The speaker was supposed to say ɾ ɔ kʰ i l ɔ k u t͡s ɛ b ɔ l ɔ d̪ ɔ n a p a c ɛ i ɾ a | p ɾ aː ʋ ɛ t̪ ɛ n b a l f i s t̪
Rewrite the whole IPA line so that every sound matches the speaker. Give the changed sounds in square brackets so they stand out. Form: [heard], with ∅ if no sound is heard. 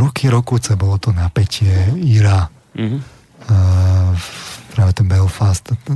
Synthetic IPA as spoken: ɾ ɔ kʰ i [ɾ] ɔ k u t͡s ɛ b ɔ l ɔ [t̪] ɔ n a p [ɛ] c ɛ i ɾ a | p ɾ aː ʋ ɛ t̪ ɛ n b [ɛ] l f [a] s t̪